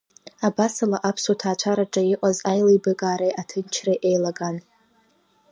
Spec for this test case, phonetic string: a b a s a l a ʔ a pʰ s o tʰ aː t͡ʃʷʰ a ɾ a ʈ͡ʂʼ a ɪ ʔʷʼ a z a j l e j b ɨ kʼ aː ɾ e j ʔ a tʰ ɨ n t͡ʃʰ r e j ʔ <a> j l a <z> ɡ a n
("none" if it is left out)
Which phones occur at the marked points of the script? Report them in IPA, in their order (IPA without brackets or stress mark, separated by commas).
e, none